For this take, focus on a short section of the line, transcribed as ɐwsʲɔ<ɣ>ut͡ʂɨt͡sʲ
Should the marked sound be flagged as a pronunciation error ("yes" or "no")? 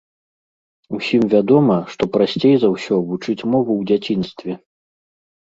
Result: yes